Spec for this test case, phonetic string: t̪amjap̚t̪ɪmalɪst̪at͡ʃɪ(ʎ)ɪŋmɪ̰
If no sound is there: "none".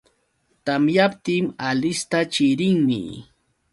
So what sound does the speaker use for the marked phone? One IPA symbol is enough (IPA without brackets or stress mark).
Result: ɾ